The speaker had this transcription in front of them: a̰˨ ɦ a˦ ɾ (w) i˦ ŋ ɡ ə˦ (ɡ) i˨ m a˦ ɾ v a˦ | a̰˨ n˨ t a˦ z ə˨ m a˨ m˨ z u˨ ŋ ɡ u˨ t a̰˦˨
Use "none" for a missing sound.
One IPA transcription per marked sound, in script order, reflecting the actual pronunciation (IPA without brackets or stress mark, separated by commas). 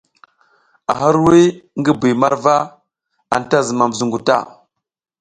w, b